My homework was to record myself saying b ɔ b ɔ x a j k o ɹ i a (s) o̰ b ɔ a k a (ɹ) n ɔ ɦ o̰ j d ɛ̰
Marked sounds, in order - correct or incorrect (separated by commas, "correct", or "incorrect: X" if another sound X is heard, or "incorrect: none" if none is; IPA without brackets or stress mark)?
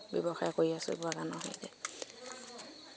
correct, incorrect: none